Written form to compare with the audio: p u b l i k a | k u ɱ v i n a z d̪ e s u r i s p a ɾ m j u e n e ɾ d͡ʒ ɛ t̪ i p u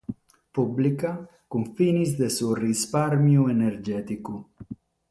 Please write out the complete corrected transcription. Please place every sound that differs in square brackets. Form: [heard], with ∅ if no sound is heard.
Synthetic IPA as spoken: p u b l i k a | k u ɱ [f] i n [i] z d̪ e s u r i s p a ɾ m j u e n e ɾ d͡ʒ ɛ t̪ i [k] u